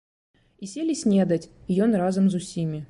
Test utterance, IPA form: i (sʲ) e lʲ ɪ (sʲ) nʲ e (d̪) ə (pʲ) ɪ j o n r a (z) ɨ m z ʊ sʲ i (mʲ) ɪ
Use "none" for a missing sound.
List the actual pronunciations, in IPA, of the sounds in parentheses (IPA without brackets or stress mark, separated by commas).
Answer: sʲ, sʲ, d̪, tʲ, z, mʲ